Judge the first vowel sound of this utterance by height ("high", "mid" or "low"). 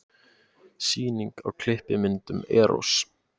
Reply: high